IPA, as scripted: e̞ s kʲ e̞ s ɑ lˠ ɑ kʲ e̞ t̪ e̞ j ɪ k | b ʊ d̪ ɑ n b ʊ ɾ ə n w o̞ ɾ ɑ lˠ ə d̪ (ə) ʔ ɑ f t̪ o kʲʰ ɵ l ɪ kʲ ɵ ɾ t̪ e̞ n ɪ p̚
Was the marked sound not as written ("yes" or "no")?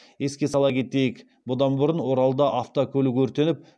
yes